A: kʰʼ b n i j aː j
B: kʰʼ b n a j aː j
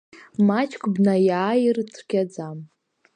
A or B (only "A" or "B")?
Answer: B